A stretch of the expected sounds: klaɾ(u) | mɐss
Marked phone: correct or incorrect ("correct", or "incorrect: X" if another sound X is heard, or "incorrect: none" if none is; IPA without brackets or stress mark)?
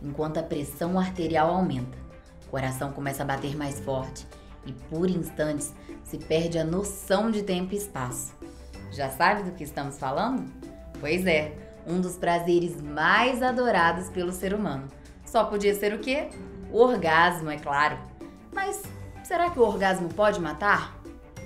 incorrect: ʊ